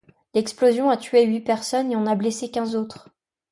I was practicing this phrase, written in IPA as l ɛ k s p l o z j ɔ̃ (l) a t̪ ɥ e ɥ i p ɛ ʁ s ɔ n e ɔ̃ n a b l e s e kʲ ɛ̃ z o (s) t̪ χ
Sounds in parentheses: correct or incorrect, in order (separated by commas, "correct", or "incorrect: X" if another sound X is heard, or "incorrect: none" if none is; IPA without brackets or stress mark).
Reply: incorrect: none, incorrect: none